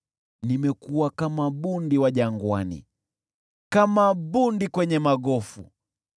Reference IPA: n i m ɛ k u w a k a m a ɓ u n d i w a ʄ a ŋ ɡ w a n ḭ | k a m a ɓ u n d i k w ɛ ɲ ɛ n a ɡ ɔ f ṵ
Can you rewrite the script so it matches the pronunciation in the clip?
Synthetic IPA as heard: n i m ɛ k u w a k a m a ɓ u n d i w a ʄ a ŋ ɡ w a n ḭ | k a m a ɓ u n d i k w ɛ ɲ ɛ m a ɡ ɔ f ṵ